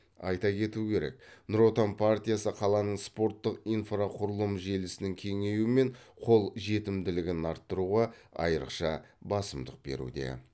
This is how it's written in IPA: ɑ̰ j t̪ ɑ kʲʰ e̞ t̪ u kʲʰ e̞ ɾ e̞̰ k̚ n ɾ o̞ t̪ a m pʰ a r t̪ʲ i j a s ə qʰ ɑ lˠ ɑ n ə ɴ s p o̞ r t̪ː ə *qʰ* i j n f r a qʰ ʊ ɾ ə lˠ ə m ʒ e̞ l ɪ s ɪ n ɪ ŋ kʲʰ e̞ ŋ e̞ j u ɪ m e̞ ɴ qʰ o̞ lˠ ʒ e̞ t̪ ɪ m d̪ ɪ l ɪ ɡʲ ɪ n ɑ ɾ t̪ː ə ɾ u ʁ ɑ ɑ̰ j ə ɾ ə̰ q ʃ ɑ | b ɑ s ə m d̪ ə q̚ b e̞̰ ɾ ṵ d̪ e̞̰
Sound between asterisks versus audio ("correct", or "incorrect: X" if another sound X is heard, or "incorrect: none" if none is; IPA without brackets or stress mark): incorrect: q